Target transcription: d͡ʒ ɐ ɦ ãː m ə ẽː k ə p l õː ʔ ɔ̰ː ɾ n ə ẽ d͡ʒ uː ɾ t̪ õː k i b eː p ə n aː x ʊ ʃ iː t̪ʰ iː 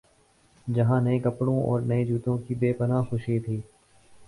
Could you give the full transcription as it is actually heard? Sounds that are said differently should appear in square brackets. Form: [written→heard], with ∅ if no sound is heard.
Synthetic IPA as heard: d͡ʒ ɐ ɦ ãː [m→n] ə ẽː k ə p [l→ɽ] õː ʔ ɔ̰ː ɾ n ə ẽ d͡ʒ uː [ɾ→∅] t̪ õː k i b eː p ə n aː x ʊ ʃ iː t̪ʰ iː